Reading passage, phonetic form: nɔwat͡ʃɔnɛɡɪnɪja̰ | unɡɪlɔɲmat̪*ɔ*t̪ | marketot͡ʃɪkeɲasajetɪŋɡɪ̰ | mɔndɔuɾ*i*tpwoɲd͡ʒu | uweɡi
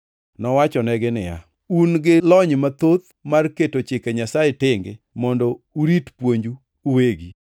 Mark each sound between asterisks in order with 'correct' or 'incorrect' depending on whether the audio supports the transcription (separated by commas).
incorrect, correct